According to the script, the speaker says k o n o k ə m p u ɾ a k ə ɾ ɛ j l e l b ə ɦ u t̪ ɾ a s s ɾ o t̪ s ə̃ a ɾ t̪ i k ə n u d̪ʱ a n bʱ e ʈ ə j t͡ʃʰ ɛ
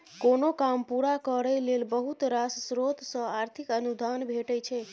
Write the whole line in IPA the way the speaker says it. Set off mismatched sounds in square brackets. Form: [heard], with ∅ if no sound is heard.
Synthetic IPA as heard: k o n o k [a] m p u ɾ a k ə ɾ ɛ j l e l b ə ɦ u t̪ ɾ a s s ɾ o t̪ s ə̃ a ɾ [t̪ʰ] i k ə n u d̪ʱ a n bʱ e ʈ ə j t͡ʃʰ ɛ